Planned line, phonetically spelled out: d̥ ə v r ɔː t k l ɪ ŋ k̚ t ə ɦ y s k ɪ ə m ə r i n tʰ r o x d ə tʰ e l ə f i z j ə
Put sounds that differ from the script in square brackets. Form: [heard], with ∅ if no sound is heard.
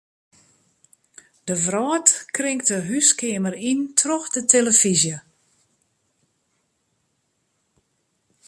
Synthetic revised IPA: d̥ ə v r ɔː t k [r] ɪ ŋ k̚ t ə ɦ y s k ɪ ə m ə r i n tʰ r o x d ə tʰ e l ə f i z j ə